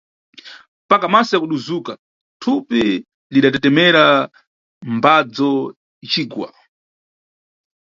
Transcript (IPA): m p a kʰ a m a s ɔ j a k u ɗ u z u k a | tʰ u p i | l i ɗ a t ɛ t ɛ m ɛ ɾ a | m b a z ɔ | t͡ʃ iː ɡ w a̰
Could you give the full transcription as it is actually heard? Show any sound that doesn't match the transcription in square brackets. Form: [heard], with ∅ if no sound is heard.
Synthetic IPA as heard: m p a [k] a m a s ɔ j a k u ɗ u z u k a | tʰ u p i | l i ɗ a t ɛ t ɛ m ɛ ɾ a | m b a [d͡z] ɔ | t͡ʃ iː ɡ w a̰